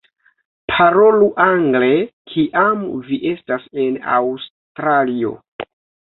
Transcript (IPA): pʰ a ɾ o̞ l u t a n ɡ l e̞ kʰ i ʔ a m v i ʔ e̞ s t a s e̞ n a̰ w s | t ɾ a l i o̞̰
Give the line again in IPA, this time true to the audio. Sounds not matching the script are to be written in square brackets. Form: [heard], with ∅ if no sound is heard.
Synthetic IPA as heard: pʰ a ɾ o̞ l u [ʔ] a [ŋ] ɡ l e̞ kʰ i ʔ a m v i ʔ e̞ s t a s e̞ n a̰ w s | t ɾ a l i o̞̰